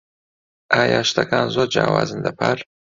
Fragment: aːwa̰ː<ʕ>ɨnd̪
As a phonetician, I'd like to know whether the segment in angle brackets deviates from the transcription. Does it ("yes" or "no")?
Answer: yes